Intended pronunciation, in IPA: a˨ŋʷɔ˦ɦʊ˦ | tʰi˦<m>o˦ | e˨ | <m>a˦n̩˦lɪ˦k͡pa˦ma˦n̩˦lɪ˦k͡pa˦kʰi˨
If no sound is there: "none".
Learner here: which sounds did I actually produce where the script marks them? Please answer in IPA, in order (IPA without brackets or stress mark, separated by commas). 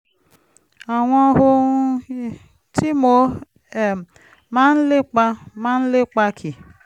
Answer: m, m